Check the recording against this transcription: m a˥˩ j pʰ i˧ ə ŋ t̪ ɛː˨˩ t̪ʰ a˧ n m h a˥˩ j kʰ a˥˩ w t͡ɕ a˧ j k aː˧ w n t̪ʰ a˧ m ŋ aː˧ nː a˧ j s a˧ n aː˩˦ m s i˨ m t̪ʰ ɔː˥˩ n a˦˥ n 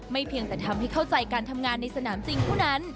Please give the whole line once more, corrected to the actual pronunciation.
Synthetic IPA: m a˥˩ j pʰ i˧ ə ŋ t̪ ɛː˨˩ t̪ʰ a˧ m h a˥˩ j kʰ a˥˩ w t͡ɕ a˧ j k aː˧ n t̪ʰ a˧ m ŋ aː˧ nː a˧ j s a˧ n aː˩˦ m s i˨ ŋ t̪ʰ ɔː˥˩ n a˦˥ n